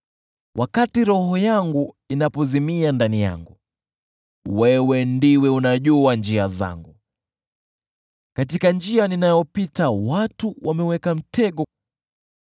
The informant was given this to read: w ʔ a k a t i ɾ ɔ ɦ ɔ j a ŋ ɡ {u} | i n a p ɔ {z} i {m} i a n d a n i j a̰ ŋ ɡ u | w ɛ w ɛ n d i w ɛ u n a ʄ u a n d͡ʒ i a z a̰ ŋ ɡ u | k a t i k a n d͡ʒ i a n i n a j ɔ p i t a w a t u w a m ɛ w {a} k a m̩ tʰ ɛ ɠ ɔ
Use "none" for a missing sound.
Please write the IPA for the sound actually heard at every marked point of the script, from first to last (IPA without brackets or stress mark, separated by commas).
u, z, m, ɛ